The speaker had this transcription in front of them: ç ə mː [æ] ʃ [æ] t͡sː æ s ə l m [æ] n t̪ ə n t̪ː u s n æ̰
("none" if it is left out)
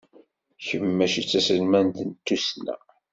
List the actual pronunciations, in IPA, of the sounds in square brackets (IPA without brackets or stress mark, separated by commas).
æ, i, æ